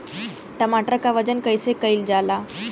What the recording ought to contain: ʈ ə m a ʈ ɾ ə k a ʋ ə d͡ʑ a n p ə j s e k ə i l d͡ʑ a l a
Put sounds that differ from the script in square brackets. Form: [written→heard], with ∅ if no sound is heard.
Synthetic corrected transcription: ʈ ə m a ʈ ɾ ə k a ʋ ə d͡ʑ [a→ə] n [p→k] ə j s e k ə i l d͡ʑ a l a

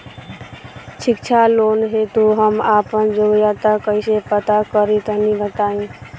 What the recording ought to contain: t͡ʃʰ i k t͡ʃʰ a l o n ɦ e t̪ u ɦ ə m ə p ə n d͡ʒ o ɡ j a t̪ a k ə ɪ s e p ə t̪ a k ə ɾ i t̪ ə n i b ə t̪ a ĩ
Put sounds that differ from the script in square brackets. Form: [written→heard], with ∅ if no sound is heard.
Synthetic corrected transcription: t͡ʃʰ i k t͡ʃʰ a l o n ɦ e t̪ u ɦ ə m [ə→a] p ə n d͡ʒ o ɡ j a t̪ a k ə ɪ s e p ə t̪ a k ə ɾ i t̪ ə n i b ə t̪ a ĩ

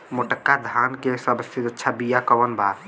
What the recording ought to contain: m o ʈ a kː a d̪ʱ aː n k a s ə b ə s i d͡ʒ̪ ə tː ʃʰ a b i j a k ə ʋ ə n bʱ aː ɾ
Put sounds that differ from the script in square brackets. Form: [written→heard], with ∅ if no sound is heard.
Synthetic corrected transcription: m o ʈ [a→ə] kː a d̪ʱ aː n k [a→e] s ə b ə s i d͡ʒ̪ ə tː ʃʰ a b i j a k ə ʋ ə n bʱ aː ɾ

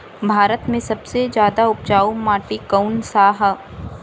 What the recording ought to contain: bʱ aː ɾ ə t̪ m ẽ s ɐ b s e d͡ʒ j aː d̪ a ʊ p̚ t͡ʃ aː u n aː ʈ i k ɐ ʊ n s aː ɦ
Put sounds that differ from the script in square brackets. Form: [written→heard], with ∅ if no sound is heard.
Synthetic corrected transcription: bʱ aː ɾ ə t̪ m ẽ s ɐ b s e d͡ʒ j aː d̪ a ʊ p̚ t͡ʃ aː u [n→m] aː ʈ i k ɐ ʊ n s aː ɦ

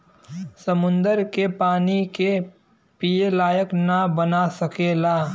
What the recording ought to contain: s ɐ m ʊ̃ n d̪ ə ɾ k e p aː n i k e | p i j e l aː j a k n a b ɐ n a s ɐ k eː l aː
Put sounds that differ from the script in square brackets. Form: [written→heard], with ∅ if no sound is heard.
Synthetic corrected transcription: s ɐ m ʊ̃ n d̪ ə ɾ k e p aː n i k e | p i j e l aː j [a→ə] k n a b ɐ n a s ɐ k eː l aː

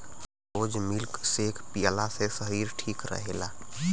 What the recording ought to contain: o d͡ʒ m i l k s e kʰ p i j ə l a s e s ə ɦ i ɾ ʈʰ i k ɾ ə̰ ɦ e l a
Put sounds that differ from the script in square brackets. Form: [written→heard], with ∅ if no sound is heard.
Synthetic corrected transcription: o d͡ʒ m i l k s e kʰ p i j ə l a s e s ə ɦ i ɾ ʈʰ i k ɾ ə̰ ɦ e l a

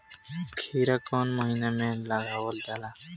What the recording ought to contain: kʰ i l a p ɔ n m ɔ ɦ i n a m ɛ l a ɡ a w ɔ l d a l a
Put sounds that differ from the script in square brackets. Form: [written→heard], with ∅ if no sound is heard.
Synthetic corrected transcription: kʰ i [l→ɾ] a [p→k] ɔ n m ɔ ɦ i n a m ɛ l a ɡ a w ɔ l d a l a

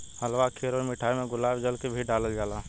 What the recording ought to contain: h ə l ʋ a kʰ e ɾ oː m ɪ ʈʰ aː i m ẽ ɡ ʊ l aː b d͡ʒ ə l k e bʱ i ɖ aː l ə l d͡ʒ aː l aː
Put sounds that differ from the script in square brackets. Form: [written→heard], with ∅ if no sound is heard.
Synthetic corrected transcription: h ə l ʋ a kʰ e ɾ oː m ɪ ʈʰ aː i m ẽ ɡ ʊ l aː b d͡ʒ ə l k e bʱ i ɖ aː l ə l d͡ʒ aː l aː

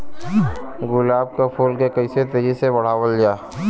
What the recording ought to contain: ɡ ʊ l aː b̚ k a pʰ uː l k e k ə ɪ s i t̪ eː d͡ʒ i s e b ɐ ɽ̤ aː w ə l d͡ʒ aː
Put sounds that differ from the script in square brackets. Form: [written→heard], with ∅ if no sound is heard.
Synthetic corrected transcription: ɡ ʊ l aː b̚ k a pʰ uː l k e k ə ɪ s [i→e] t̪ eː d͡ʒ i s e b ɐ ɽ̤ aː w ə l d͡ʒ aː

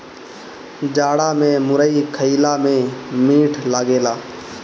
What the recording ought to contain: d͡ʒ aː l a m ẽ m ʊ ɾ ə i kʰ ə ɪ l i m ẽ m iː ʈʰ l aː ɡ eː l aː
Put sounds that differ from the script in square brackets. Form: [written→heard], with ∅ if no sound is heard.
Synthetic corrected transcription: d͡ʒ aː [l→ɽ] a m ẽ m ʊ ɾ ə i kʰ ə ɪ l [i→a] m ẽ m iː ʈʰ l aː ɡ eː l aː

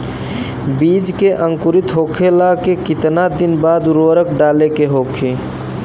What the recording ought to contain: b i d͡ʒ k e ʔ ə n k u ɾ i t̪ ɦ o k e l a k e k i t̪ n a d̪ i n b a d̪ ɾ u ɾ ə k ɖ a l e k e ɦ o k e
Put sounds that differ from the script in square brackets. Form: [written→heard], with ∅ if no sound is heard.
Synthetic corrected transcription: b i d͡ʒ k e ʔ ə [n→ŋ] k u ɾ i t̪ ɦ o [k→kʰ] e l a k e k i t̪ n a d̪ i n b a d̪ ɾ [u→o] ɾ ə k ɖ a l e k e ɦ o [k→kʰ] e

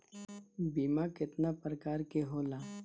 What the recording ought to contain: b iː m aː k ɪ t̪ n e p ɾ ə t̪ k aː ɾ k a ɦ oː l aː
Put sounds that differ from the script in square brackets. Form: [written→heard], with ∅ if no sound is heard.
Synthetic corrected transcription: b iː m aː k ɪ t̪ n [e→a] p ɾ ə [t̪→∅] k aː ɾ k [a→e] ɦ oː l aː

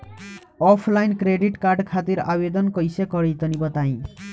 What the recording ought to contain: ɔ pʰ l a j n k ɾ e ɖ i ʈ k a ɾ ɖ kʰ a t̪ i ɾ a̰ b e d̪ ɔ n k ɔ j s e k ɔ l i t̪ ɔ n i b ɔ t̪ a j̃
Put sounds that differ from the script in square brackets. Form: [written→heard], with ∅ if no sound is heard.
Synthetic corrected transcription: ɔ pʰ l a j n k ɾ e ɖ i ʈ k a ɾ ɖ kʰ a t̪ i ɾ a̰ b e d̪ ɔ n k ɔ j s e k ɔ [l→ɾ] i t̪ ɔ n i b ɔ t̪ a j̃

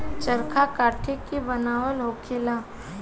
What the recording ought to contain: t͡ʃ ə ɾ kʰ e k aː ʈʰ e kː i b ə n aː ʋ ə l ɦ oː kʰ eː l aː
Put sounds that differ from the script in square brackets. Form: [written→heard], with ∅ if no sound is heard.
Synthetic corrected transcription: t͡ʃ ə ɾ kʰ [e→a] k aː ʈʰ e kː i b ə n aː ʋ ə l ɦ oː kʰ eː l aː

